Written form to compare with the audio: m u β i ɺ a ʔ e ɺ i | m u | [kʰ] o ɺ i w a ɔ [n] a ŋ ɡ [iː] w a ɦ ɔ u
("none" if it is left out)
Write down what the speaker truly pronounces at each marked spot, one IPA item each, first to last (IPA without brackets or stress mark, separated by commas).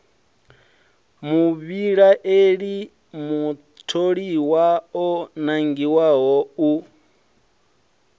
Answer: tʰ, n, i